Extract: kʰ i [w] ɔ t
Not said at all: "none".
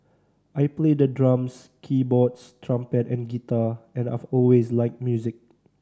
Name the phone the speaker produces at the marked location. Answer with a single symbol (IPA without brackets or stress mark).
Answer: b